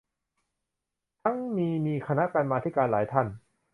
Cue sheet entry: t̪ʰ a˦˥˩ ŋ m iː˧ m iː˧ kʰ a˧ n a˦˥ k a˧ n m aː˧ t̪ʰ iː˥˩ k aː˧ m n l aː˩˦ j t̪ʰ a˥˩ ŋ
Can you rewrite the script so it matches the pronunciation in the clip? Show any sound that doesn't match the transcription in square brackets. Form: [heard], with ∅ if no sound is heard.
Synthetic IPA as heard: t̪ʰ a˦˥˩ ŋ m iː˧ m iː˧ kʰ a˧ n a˦˥ k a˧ n m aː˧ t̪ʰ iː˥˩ k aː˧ [∅] n l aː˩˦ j t̪ʰ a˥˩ [n]